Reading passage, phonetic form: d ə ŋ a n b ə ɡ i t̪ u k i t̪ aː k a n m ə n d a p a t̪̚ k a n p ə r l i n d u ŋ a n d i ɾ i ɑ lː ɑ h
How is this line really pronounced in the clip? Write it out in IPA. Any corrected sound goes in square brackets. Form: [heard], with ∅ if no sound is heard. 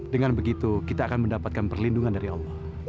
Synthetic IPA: d ə ŋ a n b ə ɡ i t̪ u k i t̪ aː k a n m ə n d a p a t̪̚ k a n p ə r l i n d u ŋ a n d [a] ɾ i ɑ lː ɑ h

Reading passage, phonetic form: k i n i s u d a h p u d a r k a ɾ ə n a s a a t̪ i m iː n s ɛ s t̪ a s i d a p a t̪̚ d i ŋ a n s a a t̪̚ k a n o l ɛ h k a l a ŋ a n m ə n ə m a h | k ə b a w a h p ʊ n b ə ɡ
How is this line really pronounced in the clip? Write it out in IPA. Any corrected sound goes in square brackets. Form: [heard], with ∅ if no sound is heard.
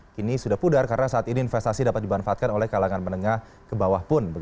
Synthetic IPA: k i n i s u d a h p u d a r k a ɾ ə n a s a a t̪ i [n] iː n [f] ɛ s t̪ a s i d a p a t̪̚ d i [m] a n [f] a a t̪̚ k a n o l ɛ h k a l a ŋ a n m ə n ə [ŋ] a h | k ə b a w a h p ʊ n b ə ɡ

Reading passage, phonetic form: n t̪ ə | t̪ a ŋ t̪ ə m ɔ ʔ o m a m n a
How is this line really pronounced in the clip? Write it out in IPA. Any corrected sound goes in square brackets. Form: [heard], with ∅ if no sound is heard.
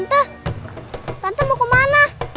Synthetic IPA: n t̪ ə | t̪ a [n] t̪ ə m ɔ [k] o m a [∅] n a

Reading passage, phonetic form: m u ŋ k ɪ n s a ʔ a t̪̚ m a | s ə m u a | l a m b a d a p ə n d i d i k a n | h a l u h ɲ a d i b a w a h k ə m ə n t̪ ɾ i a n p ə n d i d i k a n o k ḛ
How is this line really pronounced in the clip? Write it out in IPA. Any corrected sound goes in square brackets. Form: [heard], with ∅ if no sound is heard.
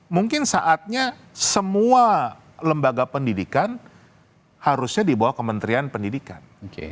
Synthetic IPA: m u ŋ k ɪ n s a ʔ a t̪̚ [ɲ] a | s ə m u a | l [ə] m b a [ɡ] a p ə n d i d i k a n | h a [ɾ] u [s] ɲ a d i b a w a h k ə m ə n t̪ ɾ i a n p ə n d i d i k a n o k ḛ

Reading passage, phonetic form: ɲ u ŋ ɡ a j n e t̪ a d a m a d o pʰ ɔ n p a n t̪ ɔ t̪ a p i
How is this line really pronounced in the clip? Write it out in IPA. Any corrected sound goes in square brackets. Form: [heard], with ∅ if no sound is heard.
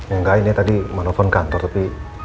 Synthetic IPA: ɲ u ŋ ɡ a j n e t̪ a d [i] m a [n] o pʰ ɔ n [k] a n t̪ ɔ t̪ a p i

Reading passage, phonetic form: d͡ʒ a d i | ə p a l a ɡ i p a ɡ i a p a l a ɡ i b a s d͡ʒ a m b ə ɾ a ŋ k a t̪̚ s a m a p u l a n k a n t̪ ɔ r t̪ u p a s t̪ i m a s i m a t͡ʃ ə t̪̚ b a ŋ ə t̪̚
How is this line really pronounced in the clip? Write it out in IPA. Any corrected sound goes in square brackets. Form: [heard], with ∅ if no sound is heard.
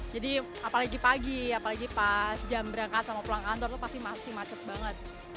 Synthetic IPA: d͡ʒ a d i | [a] p a l a ɡ i p a ɡ i a p a l a ɡ i [p] a s d͡ʒ a m b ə ɾ a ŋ k a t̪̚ s a m a p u l a [ŋ] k a n t̪ ɔ r t̪ u p a s t̪ i m a s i m a t͡ʃ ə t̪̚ b a ŋ ə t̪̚

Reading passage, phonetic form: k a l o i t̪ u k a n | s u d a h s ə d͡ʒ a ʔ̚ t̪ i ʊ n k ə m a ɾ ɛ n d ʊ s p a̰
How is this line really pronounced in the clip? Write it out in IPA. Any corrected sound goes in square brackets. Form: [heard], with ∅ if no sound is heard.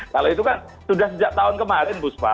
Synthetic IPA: k a l o i t̪ u k a n | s u d a h s ə d͡ʒ a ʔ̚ t̪ [a] ʊ n k ə m a ɾ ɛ n [b] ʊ s p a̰

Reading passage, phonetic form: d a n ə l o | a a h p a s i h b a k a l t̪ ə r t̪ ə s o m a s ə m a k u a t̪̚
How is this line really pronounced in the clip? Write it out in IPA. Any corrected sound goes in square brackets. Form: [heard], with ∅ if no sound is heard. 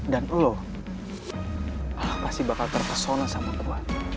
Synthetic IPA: d a n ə l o | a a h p a s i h b a k a l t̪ ə r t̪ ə s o [n] a s [a] m a k u a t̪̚

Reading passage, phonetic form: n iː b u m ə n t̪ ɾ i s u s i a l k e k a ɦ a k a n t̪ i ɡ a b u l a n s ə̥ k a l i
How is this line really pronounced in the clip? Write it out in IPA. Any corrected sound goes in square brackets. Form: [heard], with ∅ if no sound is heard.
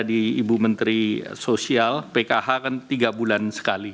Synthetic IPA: [d] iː b u m ə n t̪ ɾ i s [o] s i a l [p] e k a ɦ a k a n t̪ i ɡ a b u l a n s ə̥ k a l i

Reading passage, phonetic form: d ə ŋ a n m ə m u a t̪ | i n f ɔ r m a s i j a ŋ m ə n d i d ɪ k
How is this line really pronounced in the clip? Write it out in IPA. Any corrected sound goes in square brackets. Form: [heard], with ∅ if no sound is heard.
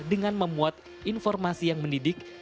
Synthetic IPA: d ə ŋ a n m ə m u a t̪ | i n f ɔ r m a s i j a ŋ m ə n d i d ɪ k

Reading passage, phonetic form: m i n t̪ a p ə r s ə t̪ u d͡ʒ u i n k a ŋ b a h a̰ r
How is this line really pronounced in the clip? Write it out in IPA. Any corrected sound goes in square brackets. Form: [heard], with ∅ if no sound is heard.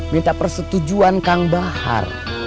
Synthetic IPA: m i n t̪ a p ə r s ə t̪ u d͡ʒ u [a] n k a ŋ b a h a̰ r

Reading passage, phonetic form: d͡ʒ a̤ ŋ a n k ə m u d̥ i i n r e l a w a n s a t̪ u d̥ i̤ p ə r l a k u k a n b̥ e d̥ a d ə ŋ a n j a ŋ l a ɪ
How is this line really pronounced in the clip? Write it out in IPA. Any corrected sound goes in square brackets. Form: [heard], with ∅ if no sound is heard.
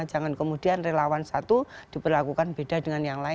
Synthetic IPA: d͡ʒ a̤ ŋ a n k ə m u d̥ i [a] n r e l a w a n s a t̪ u d̥ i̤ p ə r l a k u k a n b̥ e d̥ a d ə ŋ a n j a ŋ l a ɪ

